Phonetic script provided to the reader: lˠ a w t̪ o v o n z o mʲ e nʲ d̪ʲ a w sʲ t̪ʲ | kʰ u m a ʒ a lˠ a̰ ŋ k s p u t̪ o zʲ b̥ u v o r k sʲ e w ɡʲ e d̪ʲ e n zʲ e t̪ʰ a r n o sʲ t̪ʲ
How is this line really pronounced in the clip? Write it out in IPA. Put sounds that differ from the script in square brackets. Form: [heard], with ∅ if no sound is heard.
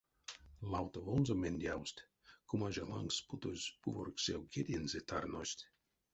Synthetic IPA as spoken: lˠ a w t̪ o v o n z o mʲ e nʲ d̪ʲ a w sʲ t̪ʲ | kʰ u m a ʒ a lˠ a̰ ŋ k s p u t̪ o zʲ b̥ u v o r k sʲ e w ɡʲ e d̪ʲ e n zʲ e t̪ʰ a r n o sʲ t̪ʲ

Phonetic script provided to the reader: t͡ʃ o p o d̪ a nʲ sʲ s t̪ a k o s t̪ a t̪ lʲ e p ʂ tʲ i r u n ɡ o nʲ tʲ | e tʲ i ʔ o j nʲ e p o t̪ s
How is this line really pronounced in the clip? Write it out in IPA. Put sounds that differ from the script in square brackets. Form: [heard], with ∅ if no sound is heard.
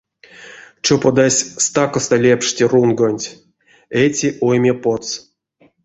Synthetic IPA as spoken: t͡ʃ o p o d̪ a [∅] sʲ s t̪ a k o s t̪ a [∅] lʲ e p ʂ tʲ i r u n ɡ o nʲ tʲ | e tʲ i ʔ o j [mʲ] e p o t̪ s

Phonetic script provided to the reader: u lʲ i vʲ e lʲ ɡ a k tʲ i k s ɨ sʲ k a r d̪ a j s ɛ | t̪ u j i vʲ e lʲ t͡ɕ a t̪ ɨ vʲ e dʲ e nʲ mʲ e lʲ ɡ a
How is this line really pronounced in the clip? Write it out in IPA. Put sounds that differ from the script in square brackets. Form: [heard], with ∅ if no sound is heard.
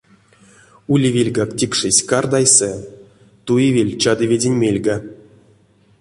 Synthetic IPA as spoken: u lʲ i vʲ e lʲ ɡ a k tʲ i k [ʂ] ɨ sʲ k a r d̪ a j s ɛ | t̪ u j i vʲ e lʲ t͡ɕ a [d̪] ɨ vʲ e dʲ e nʲ mʲ e lʲ ɡ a

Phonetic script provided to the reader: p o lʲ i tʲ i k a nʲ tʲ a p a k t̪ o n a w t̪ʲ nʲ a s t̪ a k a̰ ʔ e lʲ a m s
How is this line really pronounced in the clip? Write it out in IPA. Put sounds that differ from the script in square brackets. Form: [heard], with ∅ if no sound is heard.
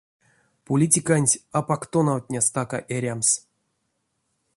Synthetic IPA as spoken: p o lʲ i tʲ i k a nʲ tʲ a p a k t̪ o n a w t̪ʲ nʲ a s t̪ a k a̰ ʔ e [ɾʲ] a m s

